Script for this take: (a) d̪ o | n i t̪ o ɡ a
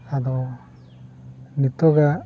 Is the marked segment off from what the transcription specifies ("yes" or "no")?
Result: no